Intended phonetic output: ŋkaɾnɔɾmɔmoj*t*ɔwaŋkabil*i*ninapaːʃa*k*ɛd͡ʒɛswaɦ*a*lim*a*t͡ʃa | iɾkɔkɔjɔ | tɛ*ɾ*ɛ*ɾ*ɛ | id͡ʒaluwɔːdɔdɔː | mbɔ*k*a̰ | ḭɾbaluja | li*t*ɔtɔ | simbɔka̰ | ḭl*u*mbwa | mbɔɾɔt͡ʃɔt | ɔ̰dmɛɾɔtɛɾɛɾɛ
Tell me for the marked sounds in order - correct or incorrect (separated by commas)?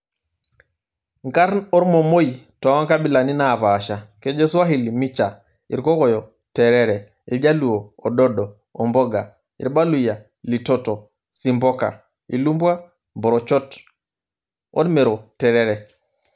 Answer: correct, incorrect, correct, incorrect, incorrect, correct, correct, incorrect, correct, correct